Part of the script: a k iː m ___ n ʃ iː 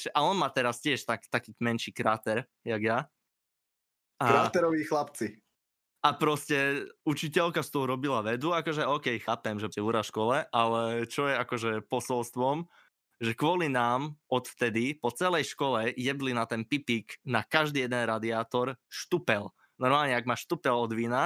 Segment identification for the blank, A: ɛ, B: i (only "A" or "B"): A